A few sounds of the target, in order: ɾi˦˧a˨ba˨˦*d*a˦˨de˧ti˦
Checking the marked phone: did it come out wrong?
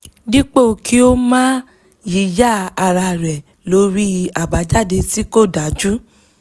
yes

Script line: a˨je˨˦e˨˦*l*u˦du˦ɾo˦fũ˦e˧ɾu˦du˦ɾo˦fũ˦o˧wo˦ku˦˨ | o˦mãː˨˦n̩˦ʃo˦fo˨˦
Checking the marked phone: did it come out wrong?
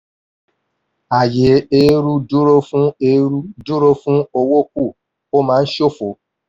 yes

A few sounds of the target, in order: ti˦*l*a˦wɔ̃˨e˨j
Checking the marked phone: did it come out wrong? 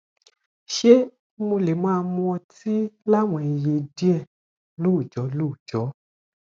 no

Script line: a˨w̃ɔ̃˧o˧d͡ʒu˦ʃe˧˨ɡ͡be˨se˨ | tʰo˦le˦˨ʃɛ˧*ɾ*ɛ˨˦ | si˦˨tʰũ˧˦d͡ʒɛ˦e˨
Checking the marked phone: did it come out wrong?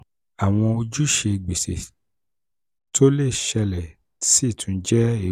yes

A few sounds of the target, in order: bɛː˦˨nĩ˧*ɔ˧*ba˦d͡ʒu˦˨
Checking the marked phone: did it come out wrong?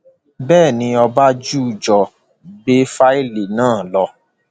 no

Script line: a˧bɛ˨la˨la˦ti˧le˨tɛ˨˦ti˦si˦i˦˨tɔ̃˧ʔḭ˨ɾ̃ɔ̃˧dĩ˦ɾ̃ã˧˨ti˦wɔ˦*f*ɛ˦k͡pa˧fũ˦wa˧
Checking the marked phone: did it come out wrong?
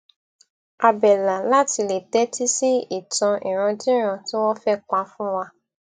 no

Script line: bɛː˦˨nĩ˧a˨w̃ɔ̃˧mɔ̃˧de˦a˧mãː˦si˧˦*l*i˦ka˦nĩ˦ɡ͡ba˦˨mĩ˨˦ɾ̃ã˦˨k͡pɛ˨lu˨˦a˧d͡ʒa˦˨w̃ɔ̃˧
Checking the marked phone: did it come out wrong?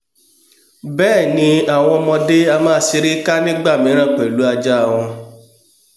yes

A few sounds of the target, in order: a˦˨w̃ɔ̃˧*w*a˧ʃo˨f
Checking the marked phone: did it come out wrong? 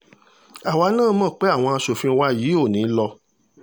yes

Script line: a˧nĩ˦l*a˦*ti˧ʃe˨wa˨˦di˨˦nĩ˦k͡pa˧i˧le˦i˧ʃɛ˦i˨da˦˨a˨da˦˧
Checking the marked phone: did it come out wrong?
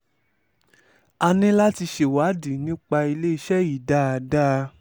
no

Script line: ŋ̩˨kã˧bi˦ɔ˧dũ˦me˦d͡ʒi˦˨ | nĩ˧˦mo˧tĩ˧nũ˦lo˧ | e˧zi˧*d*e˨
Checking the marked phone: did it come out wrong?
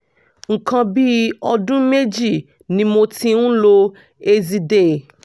no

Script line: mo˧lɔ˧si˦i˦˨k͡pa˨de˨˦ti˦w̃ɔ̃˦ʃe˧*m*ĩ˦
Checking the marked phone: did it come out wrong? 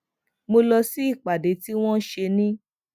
yes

